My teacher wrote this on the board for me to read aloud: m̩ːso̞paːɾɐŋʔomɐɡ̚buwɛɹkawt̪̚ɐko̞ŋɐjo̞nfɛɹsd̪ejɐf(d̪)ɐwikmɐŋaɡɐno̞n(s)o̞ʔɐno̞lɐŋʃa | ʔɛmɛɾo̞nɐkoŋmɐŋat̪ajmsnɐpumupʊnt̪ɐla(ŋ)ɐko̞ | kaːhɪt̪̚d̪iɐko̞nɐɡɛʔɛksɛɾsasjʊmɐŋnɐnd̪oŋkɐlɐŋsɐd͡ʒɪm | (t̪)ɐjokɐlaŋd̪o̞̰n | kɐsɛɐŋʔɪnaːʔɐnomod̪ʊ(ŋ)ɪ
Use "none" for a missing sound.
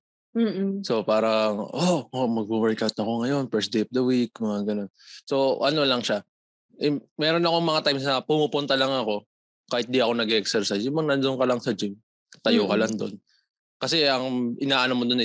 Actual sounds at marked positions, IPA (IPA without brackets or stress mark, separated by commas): d̪, s, ŋ, t̪, n